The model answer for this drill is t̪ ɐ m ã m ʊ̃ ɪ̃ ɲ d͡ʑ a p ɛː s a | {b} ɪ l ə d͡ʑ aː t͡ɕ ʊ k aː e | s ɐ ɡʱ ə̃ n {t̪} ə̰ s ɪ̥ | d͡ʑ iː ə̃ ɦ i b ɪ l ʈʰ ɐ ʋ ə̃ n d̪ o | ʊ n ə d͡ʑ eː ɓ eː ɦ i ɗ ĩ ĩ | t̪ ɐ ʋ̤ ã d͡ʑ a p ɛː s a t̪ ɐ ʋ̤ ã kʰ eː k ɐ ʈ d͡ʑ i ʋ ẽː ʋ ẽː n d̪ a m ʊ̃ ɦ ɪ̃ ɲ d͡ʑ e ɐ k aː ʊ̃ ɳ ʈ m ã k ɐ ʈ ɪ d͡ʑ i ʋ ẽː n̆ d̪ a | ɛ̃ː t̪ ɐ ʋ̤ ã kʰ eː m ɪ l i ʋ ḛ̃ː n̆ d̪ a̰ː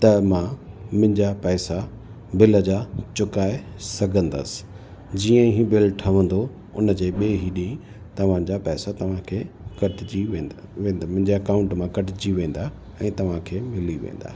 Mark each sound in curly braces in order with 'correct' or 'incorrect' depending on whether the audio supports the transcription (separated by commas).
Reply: correct, incorrect